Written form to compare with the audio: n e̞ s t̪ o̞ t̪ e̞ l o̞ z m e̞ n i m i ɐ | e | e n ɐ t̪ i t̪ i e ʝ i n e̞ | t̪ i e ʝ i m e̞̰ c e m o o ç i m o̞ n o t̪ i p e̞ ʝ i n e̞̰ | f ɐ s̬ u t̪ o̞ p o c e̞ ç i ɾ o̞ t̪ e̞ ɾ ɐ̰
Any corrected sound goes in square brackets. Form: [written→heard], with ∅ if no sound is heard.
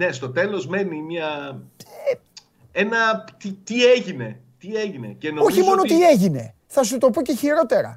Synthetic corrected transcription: n e̞ s t̪ o̞ t̪ e̞ l o̞ z m e̞ n i m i ɐ | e | e n ɐ t̪ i t̪ i e ʝ i n e̞ | t̪ i e ʝ i [m→n] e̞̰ c e [m→n] o o ç i m o̞ n o t̪ i [p→∅] e̞ ʝ i n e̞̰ | [f→θ] ɐ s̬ u t̪ o̞ p o c e̞ ç i ɾ o̞ t̪ e̞ ɾ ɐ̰